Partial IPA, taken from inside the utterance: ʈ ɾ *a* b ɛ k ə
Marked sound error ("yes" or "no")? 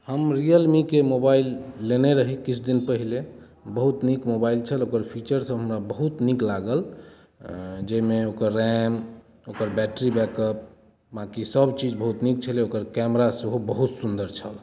yes